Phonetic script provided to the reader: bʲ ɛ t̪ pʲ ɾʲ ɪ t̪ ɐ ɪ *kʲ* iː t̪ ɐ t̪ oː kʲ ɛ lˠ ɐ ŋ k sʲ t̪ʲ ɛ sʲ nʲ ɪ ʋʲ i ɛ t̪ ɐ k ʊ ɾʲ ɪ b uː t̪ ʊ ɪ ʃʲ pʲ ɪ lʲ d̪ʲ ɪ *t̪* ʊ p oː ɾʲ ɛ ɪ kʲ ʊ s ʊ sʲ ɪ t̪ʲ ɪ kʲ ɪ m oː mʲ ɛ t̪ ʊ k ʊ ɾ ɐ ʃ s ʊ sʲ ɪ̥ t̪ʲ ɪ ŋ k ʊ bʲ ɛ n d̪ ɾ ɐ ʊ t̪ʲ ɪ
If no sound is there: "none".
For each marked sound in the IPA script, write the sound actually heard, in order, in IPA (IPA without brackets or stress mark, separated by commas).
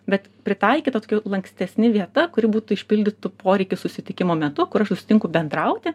kʲ, t̪